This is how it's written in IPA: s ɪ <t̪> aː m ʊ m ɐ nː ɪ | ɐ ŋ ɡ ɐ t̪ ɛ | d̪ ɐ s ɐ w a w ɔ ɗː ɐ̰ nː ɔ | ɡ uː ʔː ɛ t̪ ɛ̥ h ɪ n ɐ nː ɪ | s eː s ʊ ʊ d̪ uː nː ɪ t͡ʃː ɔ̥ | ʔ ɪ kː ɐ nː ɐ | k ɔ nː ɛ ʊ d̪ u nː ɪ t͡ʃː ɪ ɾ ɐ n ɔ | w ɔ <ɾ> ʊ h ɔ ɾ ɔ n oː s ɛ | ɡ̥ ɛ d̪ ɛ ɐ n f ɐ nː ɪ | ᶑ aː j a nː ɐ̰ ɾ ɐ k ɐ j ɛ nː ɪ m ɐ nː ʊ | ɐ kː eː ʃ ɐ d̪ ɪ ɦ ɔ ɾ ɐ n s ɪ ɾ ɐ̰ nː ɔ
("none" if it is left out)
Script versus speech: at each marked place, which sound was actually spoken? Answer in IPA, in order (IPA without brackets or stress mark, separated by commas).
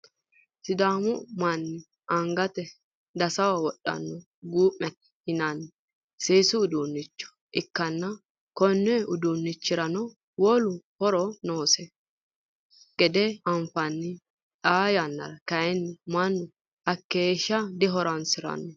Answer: d̪, l